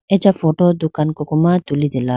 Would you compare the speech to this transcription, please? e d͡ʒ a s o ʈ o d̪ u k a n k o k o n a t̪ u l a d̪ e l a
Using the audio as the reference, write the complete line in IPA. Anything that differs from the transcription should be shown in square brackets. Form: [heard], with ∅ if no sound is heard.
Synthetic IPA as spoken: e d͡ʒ a [f] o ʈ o d̪ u k a n k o k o [m] a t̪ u l [i] d̪ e l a